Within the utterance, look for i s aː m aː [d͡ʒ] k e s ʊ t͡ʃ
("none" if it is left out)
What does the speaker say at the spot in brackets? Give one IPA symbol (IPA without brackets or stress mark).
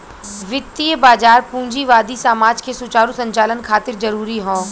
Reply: d͡ʒ